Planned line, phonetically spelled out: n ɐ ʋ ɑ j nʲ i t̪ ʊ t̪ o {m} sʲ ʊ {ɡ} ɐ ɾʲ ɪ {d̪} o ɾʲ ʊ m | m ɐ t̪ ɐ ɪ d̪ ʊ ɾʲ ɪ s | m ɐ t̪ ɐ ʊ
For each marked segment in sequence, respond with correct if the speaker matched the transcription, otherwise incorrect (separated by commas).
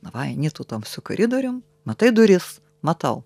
correct, incorrect, correct